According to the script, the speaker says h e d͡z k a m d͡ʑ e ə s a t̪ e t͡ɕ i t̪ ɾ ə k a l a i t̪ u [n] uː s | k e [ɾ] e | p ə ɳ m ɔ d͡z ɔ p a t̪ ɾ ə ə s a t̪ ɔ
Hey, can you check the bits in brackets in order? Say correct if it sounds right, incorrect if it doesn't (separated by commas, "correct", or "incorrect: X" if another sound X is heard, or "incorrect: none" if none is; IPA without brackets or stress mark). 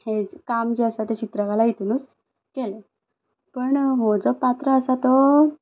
correct, incorrect: l